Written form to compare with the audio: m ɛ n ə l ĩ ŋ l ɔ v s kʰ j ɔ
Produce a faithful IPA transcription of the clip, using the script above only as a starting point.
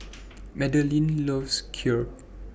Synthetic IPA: m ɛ d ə l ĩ n l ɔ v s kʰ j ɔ